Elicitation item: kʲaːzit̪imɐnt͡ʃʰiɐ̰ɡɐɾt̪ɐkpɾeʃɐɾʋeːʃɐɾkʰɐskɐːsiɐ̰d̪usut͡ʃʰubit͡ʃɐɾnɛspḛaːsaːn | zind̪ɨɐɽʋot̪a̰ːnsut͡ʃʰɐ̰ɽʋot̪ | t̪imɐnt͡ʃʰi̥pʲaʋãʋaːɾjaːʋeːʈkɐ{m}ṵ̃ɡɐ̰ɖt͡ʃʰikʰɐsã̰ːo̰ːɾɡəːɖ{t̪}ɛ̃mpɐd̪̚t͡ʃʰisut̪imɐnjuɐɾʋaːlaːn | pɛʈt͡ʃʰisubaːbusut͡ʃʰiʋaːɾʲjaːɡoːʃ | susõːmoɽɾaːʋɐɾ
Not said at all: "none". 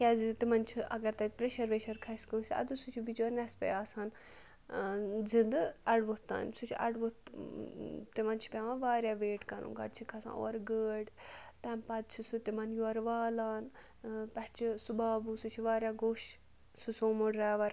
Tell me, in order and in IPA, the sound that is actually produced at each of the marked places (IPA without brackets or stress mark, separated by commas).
n, t̪